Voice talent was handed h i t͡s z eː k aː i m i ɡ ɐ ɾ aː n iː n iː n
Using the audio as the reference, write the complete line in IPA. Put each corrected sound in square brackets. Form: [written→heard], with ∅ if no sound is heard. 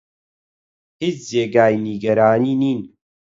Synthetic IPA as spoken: h i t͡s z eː [k→ɡ] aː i [m→n] i ɡ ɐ ɾ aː n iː n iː n